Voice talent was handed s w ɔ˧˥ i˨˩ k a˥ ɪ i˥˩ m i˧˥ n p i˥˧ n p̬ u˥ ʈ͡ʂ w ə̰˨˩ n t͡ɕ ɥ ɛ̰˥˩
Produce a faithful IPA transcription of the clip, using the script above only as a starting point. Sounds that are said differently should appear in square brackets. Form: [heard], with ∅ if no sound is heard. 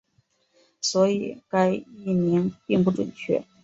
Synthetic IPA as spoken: s w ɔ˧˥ i˨˩ k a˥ ɪ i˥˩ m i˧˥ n p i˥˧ [ŋ] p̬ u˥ ʈ͡ʂ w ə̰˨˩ n [t͡ɕʰ] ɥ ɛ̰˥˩